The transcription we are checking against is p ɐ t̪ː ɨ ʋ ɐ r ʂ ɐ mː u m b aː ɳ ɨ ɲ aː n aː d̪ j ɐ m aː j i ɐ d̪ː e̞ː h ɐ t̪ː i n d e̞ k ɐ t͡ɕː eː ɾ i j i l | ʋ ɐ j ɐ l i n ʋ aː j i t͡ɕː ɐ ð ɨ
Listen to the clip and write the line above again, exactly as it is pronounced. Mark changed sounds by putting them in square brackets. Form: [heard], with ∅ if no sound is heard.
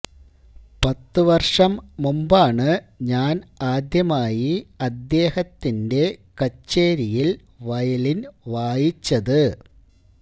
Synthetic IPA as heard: p ɐ t̪ː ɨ ʋ ɐ r ʂ ɐ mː u m b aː ɳ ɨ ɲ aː n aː d̪ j ɐ m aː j i ɐ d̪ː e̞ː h ɐ t̪ː i n d e̞ k ɐ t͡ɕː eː ɾ i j i l | ʋ ɐ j ɐ l i n ʋ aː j i t͡ɕː ɐ ð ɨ